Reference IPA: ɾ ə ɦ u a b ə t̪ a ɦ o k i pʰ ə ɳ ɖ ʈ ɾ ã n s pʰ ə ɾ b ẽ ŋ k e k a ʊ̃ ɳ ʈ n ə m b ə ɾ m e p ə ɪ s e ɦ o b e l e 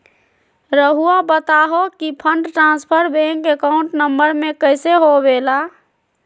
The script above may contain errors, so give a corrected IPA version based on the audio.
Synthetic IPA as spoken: ɾ ə ɦ u a b ə t̪ a ɦ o k i pʰ ə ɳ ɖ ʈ ɾ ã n s pʰ ə ɾ b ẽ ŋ k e k a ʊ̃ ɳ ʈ n ə m b ə ɾ m e k ə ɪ s e ɦ o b e l a

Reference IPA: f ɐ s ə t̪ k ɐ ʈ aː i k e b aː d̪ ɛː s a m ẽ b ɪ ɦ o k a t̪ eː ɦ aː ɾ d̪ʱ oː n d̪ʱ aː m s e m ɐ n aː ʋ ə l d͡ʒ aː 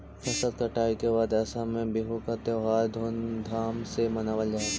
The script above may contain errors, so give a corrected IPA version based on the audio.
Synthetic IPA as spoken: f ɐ s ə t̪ k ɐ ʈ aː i k e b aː d̪ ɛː s a m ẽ b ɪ ɦ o k a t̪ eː ɦ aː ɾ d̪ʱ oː n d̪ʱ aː m s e m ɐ n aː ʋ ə l d͡ʒ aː

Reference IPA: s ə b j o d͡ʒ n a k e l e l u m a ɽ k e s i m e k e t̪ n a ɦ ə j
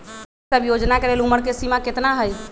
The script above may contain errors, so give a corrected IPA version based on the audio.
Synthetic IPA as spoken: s ə b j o d͡ʒ n a k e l e l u m ə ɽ k e s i m a k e t̪ n a ɦ ə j

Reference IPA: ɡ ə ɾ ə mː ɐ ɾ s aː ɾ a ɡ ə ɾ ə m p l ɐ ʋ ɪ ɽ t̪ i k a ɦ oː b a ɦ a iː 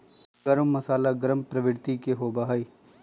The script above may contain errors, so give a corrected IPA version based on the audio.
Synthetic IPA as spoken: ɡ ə ɾ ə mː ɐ s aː l a ɡ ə ɾ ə m p ɾ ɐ ʋ ɪ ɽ t̪ i k e ɦ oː b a ɦ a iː

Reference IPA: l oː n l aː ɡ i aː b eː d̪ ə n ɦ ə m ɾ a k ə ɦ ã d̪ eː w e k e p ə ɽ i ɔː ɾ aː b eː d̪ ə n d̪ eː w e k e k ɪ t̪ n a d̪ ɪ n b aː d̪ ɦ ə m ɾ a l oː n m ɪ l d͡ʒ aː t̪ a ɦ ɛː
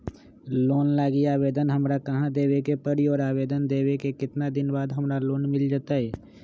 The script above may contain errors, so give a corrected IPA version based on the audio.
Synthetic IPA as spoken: l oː n l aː ɡ i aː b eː d̪ ə n ɦ ə m ɾ a k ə ɦ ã d̪ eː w e k e p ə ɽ i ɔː ɾ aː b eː d̪ ə n d̪ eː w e k e k ɪ t̪ n a d̪ ɪ n b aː d̪ ɦ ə m ɾ a l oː n m ɪ l d͡ʒ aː t̪ a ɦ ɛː

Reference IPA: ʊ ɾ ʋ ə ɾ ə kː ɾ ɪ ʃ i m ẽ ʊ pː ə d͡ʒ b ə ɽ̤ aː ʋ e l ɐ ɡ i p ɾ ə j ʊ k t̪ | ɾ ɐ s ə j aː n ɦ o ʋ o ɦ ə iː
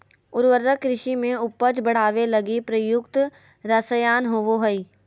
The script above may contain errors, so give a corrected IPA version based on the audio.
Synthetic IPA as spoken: ʊ ɾ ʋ ə ɾ ə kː ɾ ɪ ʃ i m ẽ ʊ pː ə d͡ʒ b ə ɽ̤ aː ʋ e l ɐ ɡ i p ɾ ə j ʊ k t̪ | ɾ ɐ s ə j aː n ɦ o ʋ o ɦ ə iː

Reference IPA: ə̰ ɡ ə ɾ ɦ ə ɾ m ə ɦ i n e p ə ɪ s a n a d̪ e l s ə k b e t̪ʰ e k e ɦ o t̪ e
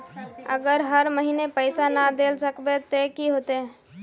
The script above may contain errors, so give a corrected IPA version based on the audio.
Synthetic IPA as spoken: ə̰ ɡ ə ɾ ɦ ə ɾ m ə ɦ i n e p ə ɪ s a n a d̪ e l s ə k b e t̪ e k i ɦ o t̪ e

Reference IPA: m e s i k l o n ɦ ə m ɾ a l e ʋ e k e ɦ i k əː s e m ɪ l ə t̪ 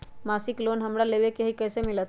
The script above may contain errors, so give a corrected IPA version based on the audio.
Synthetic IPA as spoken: m a s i k l o n ɦ ə m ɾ a l e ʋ e k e ɦ i k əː s e m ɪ l ə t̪

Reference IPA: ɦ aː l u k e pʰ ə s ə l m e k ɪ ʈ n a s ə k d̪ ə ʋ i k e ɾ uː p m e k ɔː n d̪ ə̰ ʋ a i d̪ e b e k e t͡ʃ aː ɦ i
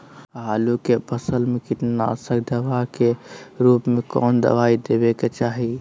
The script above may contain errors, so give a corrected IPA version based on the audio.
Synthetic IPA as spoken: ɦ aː l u k e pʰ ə s ə l m e k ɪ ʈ n a s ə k d̪ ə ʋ a k e ɾ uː p m e k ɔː n d̪ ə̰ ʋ a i d̪ e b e k e t͡ʃ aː ɦ i

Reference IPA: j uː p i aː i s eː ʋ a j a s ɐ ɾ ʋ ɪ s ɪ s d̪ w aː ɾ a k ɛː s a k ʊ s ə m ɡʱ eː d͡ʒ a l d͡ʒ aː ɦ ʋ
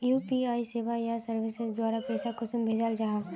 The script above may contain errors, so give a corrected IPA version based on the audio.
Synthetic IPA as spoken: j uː p i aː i s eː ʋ a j a s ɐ ɾ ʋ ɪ s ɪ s d̪ w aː ɾ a p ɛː s a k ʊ s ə m bʱ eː d͡ʒ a l d͡ʒ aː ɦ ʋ

